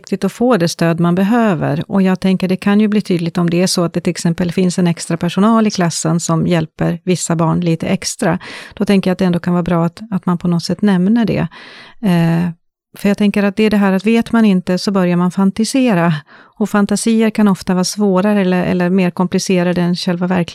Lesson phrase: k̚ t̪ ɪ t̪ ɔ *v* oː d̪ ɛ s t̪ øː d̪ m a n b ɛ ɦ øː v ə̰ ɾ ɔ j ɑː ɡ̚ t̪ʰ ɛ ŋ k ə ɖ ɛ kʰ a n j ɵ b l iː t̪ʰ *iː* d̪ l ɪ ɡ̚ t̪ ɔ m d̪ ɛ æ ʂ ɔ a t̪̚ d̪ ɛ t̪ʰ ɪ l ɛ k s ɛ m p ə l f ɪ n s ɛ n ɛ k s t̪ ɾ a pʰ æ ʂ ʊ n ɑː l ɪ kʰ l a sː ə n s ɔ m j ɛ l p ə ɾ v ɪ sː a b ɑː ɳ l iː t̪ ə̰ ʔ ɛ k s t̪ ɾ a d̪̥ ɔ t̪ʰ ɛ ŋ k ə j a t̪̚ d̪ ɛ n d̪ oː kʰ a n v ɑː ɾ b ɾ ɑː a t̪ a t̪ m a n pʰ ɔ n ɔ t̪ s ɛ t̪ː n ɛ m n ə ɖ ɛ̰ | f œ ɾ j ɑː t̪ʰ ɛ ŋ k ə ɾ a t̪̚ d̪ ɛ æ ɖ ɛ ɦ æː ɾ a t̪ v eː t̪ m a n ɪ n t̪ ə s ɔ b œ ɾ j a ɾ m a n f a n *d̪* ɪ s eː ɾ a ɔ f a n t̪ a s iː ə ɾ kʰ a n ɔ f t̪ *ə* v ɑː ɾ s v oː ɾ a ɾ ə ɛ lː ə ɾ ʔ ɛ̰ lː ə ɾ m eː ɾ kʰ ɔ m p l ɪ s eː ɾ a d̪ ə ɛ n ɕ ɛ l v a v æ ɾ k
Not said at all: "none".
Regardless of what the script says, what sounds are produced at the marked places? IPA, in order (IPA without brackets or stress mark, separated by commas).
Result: f, yː, t̪, a